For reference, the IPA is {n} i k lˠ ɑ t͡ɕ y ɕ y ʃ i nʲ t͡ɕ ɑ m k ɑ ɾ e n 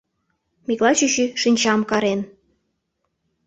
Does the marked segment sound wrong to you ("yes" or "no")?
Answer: yes